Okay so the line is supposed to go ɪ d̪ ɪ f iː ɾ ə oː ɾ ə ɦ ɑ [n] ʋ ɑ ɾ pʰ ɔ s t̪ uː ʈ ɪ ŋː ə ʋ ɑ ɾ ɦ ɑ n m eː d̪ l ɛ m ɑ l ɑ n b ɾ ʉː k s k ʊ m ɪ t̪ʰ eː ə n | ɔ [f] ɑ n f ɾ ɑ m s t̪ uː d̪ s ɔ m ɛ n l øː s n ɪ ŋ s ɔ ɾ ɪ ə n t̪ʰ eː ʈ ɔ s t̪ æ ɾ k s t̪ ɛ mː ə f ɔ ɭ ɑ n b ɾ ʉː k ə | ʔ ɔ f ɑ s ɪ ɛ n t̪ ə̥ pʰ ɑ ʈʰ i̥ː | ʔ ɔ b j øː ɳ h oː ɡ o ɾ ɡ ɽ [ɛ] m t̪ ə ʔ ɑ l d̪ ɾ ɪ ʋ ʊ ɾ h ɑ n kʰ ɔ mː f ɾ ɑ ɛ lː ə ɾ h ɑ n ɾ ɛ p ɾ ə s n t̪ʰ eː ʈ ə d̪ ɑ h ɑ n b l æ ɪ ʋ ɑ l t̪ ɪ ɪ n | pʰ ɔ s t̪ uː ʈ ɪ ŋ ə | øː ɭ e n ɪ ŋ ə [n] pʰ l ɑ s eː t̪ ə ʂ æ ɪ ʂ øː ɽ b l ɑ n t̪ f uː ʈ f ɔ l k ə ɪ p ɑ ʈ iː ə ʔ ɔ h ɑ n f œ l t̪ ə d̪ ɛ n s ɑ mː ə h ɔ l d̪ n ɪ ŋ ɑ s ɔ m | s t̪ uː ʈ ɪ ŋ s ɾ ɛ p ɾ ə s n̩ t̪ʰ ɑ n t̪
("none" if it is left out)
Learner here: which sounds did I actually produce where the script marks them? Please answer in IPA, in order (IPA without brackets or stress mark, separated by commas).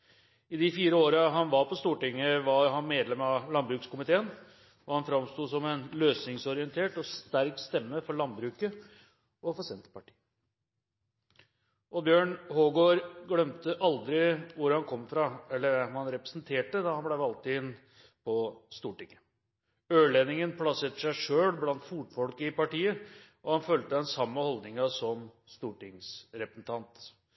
n, h, œ, n